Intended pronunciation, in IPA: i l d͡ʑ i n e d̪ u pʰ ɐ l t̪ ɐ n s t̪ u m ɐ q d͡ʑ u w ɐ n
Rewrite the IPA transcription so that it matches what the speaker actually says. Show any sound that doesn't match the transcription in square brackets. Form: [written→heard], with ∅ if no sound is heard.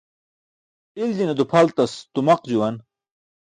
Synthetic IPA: i l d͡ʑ i n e d̪ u pʰ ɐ l t̪ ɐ [n→∅] s t̪ u m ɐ q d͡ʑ u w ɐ n